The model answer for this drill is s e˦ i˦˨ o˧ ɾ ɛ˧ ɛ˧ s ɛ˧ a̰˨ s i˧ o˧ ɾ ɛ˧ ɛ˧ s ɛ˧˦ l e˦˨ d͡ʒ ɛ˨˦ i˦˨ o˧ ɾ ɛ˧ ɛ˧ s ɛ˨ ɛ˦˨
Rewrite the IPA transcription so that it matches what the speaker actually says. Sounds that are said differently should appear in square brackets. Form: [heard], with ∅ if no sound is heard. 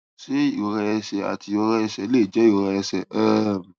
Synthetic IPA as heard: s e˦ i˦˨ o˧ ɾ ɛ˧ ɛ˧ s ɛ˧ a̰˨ [t] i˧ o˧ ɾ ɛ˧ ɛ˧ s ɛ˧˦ l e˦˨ d͡ʒ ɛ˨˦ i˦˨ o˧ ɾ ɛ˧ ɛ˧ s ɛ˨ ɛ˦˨

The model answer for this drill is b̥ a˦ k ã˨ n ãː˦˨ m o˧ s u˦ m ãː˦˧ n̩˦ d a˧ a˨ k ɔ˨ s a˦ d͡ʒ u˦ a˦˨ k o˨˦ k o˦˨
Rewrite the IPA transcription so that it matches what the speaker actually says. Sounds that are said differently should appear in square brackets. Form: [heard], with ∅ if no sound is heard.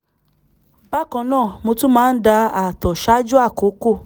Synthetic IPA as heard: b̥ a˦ k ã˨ n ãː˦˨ m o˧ [t] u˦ m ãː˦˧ n̩˦ d a˧ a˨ [t] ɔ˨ [ʃ] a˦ d͡ʒ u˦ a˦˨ k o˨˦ k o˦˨

